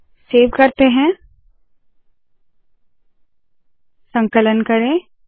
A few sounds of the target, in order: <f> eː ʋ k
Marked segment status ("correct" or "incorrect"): incorrect